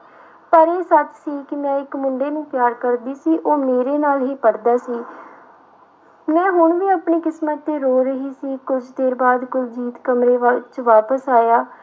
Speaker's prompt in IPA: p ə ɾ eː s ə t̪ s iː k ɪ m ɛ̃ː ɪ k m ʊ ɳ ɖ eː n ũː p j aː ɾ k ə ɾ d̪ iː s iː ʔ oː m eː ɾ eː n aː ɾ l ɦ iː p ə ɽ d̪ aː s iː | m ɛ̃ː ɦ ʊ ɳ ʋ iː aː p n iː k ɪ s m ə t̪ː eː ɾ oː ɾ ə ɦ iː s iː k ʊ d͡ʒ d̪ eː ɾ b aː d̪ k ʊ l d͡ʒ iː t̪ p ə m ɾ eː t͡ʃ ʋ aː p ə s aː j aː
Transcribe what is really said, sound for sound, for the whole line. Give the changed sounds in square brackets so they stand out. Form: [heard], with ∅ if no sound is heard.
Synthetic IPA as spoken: p ə ɾ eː s ə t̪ s iː k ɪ m ɛ̃ː ɪ k m ʊ ɳ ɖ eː n ũː p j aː ɾ k ə ɾ d̪ iː s iː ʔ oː m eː ɾ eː n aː [∅] l ɦ iː p ə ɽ d̪ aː s iː | m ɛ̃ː ɦ ʊ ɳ ʋ iː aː p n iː k ɪ s m ə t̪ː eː ɾ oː ɾ ə ɦ iː s iː k ʊ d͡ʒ d̪ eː ɾ b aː d̪ k ʊ l d͡ʒ iː t̪ [k] ə m ɾ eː t͡ʃ ʋ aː p ə s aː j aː